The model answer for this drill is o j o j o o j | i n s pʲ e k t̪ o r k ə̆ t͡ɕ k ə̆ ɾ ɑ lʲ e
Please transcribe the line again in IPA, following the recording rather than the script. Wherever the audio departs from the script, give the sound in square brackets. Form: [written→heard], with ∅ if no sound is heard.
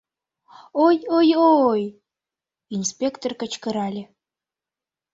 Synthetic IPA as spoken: o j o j o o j | i n s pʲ e k t̪ o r k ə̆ t͡ɕ k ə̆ ɾ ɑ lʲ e